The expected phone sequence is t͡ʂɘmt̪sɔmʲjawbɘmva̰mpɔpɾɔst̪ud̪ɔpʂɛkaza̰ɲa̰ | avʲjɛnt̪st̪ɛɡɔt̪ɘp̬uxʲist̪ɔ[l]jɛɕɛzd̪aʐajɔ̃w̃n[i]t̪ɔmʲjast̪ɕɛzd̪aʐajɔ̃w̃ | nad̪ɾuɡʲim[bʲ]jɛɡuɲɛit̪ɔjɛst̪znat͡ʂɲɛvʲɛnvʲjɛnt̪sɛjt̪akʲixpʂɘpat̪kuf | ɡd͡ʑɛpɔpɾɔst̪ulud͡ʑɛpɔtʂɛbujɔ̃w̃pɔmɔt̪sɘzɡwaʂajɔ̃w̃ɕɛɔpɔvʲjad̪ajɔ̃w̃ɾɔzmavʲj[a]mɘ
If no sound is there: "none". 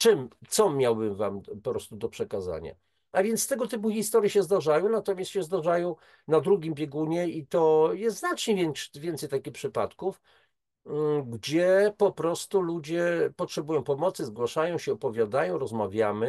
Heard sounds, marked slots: ɾ, a, bʲ, a

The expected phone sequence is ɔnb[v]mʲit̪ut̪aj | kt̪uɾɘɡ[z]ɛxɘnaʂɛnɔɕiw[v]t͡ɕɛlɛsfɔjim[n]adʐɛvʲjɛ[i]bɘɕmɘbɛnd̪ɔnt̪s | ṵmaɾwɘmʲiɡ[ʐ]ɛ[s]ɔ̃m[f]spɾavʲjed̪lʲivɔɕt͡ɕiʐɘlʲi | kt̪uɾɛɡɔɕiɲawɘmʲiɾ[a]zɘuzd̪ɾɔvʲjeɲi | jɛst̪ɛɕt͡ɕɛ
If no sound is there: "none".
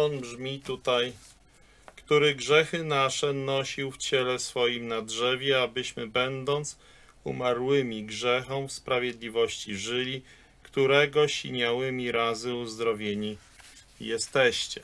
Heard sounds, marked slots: ʐ, ʐ, f, n, a, ʐ, x, f, a

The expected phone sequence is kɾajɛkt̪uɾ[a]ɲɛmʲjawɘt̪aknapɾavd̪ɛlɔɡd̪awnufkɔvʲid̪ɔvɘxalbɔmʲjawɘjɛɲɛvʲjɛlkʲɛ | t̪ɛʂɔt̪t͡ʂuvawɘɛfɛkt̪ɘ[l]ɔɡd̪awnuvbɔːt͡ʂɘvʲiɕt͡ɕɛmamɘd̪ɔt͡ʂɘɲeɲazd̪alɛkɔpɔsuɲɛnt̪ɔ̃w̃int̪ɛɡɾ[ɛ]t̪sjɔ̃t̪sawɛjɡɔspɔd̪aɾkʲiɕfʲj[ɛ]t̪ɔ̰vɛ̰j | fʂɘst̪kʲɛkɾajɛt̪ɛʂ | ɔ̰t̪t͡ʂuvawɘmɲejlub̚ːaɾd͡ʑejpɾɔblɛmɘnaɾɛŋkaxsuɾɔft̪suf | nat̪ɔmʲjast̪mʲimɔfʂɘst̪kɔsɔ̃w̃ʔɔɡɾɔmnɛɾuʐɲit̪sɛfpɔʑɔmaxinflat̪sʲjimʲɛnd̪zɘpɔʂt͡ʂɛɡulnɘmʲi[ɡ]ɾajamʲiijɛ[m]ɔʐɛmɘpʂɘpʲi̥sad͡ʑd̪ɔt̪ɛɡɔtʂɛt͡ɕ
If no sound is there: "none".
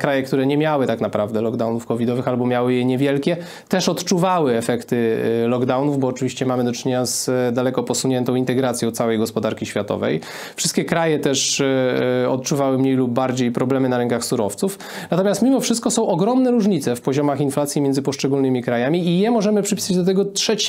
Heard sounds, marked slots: ɛ, l, a, a, k, m

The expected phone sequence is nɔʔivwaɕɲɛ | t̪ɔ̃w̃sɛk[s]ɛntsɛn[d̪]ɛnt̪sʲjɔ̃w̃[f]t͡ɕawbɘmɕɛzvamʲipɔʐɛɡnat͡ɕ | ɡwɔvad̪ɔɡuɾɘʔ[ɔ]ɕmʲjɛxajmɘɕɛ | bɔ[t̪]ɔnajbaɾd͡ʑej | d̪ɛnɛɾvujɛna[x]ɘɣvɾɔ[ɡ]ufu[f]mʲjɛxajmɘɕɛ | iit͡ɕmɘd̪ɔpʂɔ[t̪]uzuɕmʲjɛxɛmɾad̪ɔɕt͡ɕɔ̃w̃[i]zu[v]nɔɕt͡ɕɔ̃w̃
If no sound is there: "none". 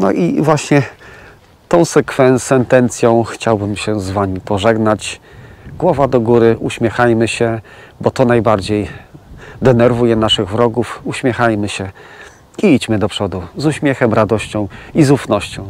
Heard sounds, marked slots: f, t̪, x, u, t̪, ʂ, ɡ, ɕ, d̪, i, f

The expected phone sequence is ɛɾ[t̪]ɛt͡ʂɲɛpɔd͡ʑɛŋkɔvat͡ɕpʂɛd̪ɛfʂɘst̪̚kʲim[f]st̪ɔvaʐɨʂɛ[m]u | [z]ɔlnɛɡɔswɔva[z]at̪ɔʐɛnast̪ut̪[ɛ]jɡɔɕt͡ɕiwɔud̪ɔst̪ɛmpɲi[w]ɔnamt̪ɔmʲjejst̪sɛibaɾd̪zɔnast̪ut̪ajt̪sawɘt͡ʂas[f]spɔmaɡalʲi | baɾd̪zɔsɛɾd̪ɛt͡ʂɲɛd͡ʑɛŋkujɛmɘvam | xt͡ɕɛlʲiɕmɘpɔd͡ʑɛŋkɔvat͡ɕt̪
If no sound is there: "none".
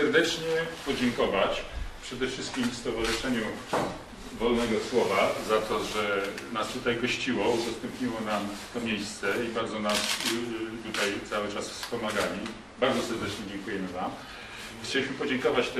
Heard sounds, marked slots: d̪, f, ɲ, v, z, a, w, f

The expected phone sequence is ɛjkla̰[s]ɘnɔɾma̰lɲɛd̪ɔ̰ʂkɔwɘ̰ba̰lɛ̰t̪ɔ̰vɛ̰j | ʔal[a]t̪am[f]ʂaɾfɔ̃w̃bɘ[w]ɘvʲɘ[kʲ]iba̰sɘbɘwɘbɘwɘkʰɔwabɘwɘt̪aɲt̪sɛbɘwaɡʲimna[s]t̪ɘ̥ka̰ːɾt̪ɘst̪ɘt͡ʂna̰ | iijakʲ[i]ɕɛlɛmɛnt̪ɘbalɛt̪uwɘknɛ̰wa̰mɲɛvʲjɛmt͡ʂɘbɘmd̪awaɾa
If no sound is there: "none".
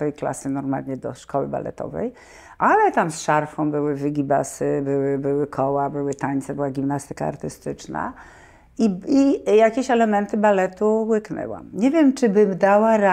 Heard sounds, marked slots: s, ɛ, s, w, ɡʲ, s, e

